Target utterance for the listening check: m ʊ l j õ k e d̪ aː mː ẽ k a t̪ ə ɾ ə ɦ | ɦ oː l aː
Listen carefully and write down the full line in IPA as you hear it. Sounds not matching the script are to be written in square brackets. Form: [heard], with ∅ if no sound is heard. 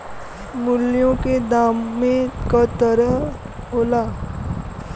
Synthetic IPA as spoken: m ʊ l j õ k e d̪ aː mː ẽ k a t̪ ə ɾ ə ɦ | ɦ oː l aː